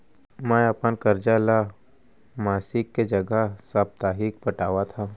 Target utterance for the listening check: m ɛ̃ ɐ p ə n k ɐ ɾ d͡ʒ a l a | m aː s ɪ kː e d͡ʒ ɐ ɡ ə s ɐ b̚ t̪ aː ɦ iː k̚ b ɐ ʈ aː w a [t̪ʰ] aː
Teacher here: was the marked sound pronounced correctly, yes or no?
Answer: yes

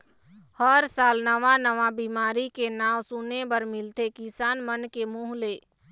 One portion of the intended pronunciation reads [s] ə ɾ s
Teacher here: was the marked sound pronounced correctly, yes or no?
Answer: no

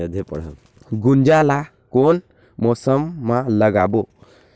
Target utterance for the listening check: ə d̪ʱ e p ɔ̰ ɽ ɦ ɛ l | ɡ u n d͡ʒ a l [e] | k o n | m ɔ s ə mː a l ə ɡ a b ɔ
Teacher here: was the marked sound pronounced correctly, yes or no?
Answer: no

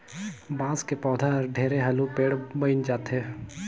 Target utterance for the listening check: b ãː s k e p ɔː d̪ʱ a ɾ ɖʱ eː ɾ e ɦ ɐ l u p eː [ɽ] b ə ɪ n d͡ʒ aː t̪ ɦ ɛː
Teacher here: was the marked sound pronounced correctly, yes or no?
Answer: yes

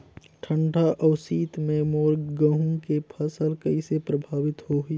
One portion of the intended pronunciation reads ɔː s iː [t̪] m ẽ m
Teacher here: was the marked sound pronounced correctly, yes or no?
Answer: yes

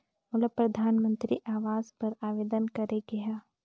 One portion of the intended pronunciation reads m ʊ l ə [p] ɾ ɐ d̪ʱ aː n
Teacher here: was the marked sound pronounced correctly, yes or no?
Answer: yes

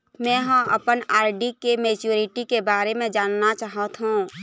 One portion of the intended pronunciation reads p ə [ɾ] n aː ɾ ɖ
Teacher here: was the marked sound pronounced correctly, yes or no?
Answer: no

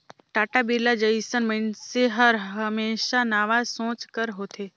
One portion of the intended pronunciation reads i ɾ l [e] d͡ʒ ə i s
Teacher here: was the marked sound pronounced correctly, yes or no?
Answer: no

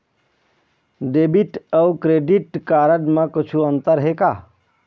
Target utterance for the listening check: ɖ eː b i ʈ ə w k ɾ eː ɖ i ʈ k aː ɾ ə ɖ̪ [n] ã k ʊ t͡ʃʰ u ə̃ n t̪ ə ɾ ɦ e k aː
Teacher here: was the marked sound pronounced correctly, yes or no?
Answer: no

